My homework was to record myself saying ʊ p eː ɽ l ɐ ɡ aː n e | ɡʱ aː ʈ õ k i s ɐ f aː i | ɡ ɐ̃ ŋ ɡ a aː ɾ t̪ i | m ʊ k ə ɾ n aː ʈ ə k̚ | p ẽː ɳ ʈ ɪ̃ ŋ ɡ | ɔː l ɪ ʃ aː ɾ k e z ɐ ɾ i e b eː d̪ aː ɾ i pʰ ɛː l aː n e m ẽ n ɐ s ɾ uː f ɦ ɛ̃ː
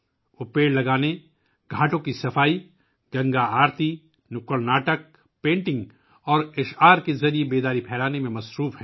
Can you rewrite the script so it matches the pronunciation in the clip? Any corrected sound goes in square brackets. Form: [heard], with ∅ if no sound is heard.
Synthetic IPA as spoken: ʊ p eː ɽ l ɐ ɡ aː n e | ɡʱ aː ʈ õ k i s ɐ f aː i | ɡ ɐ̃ ŋ ɡ a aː ɾ t̪ i | [n] ʊ k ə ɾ n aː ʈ ə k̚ | p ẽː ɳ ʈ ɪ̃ ŋ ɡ | ɔː [ɾ] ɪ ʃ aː ɾ k e z ɐ ɾ i e b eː d̪ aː ɾ i pʰ ɛː l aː n e m ẽ [m] ɐ s ɾ uː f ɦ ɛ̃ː